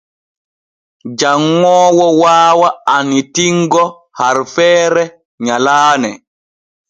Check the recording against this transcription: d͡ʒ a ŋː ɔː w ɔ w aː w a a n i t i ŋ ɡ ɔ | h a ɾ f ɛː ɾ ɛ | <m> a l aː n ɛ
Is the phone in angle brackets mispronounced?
yes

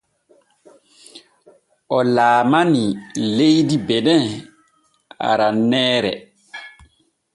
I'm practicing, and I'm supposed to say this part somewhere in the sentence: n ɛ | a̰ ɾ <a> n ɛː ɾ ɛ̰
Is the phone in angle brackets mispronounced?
no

